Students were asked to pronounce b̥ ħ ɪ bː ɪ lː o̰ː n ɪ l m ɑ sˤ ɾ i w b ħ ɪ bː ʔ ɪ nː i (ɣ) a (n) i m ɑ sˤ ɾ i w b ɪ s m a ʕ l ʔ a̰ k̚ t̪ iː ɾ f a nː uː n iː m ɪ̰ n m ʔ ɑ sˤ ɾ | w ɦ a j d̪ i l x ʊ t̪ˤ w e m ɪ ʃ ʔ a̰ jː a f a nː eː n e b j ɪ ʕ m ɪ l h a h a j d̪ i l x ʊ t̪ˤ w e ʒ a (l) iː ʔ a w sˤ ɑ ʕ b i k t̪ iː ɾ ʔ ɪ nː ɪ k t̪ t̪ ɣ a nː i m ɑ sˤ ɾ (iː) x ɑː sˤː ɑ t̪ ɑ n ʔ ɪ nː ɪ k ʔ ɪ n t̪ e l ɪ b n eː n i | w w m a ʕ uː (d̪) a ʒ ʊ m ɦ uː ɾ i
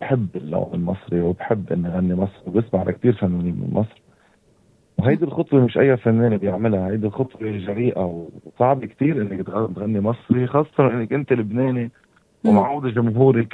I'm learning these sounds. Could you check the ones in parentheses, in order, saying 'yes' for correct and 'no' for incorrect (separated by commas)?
yes, no, no, no, yes